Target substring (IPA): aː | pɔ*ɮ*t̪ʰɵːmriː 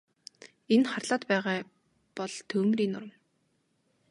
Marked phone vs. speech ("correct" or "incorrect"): correct